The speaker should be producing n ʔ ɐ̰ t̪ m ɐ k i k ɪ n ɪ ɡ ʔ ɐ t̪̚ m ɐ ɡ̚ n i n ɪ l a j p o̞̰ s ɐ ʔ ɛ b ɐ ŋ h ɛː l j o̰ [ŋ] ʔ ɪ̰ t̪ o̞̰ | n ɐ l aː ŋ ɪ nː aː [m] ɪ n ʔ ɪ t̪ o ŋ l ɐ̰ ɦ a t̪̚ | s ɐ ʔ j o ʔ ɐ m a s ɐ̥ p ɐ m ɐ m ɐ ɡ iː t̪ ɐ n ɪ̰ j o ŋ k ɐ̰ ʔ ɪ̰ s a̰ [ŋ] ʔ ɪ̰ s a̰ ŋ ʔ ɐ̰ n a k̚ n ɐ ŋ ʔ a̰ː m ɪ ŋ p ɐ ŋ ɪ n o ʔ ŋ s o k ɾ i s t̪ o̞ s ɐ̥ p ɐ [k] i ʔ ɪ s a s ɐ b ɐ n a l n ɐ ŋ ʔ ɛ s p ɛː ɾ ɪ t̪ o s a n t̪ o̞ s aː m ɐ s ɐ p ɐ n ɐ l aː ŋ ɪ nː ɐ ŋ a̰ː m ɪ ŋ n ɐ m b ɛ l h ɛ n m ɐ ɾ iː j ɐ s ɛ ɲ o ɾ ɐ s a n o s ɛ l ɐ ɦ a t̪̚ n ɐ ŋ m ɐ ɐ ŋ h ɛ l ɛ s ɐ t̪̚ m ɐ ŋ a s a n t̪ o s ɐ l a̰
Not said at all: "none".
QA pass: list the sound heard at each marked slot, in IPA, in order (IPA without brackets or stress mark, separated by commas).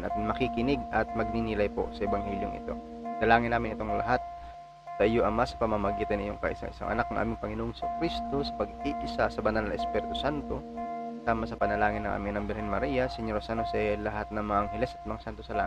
ŋ, m, ŋ, ɡ